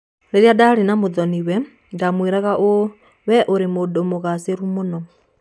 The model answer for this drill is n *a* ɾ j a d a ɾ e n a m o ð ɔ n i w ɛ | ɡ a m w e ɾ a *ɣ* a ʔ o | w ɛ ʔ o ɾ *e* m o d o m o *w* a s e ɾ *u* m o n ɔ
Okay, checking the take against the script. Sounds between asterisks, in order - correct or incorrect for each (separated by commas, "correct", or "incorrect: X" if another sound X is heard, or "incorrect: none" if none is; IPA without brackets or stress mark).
incorrect: e, correct, correct, incorrect: ɣ, correct